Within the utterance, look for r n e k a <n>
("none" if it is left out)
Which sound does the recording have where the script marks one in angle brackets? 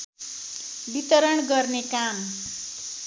m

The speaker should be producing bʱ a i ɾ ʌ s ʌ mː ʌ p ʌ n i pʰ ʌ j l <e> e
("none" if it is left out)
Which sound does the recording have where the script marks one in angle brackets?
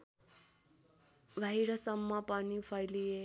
i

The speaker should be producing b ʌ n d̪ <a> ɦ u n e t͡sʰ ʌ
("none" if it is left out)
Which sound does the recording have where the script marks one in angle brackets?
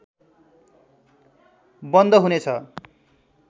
ʌ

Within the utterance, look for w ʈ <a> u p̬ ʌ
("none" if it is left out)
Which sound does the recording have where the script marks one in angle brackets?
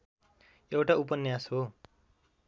a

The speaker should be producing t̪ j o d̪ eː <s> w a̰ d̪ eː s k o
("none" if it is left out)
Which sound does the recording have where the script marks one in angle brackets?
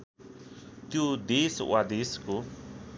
s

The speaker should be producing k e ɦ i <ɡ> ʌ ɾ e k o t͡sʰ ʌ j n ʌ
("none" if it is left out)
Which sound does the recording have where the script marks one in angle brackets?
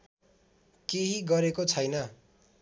ɡ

